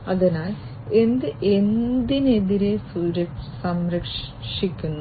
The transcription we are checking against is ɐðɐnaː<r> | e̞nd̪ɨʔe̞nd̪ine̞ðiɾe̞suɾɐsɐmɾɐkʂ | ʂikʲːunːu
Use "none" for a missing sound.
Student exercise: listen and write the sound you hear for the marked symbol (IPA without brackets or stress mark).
l